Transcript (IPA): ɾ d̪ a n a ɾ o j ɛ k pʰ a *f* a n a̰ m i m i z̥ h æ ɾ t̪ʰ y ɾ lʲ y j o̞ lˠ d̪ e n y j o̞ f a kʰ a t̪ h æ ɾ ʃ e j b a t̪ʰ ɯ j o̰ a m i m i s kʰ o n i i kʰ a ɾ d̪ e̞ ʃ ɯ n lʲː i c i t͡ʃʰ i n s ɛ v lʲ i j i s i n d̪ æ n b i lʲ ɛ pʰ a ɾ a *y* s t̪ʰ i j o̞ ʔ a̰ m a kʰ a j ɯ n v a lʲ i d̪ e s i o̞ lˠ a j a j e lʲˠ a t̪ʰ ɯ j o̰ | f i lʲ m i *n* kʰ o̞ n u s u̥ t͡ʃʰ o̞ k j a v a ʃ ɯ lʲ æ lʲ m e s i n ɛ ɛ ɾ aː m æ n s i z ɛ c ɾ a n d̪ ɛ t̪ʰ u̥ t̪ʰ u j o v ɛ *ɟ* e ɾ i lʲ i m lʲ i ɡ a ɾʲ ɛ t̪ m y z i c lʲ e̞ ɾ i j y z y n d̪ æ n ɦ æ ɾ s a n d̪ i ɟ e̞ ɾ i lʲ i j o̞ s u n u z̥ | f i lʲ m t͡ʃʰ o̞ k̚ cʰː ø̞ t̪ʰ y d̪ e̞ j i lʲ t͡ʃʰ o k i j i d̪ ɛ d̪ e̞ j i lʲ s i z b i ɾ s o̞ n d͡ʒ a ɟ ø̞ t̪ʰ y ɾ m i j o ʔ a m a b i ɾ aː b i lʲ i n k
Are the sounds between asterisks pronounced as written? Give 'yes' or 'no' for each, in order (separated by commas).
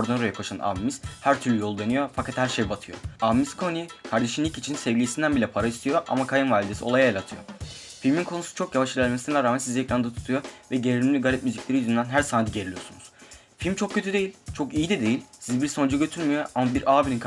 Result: no, no, yes, yes